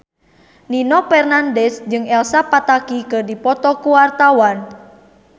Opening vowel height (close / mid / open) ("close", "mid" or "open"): close